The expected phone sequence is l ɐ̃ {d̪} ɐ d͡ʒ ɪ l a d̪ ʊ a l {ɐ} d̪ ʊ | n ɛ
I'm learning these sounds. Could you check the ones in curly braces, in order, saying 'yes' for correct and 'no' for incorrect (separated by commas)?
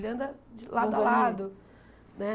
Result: yes, no